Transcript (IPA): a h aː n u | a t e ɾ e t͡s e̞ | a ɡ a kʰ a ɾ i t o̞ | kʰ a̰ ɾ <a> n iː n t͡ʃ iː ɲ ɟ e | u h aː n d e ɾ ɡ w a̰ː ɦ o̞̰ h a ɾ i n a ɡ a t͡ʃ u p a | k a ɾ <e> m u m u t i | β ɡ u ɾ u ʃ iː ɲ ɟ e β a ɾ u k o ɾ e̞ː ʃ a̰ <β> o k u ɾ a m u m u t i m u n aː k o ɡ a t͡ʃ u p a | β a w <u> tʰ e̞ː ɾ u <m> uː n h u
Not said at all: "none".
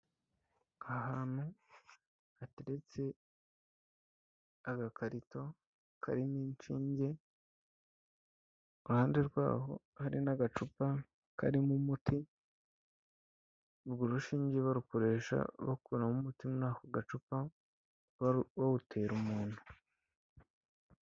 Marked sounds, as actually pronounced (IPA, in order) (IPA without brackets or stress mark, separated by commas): i, i, β, u, m